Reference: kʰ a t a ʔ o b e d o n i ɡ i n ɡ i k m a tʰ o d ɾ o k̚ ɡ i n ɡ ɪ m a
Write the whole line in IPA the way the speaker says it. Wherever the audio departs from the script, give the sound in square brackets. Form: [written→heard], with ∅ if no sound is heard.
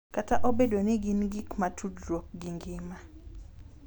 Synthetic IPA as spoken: [kʰ→k] a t a ʔ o b e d o n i ɡ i n ɡ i k m a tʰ [o→u] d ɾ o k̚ ɡ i [n→ŋ] ɡ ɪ m a